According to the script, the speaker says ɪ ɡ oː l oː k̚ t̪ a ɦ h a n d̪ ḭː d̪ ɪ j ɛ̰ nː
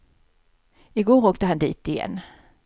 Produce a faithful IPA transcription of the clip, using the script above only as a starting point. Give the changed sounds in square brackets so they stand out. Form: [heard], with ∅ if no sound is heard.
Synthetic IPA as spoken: ɪ ɡ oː [ɾ] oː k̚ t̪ [ə] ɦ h a n d̪ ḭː [t̪] ɪ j ɛ̰ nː